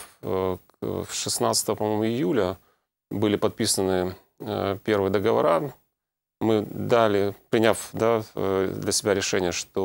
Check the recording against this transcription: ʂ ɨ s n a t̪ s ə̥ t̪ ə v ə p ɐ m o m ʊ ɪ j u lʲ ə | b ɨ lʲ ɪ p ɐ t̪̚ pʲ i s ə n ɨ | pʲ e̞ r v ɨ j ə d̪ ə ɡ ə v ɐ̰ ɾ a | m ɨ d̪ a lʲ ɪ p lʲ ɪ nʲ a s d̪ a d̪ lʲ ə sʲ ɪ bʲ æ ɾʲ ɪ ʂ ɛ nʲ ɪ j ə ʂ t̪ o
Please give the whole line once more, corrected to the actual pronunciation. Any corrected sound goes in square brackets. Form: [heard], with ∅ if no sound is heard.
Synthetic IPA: ʂ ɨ s n a t̪ s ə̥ t̪ ə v ə p ɐ m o m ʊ ɪ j u lʲ ə | b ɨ lʲ ɪ p ɐ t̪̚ pʲ i s ə n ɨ | pʲ e̞ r v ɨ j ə d̪ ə ɡ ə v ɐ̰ ɾ a | m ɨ d̪ a lʲ ɪ p [ɾʲ] ɪ nʲ a [f] d̪ a d̪ lʲ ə sʲ ɪ bʲ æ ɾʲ ɪ ʂ ɛ nʲ ɪ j ə ʂ t̪ o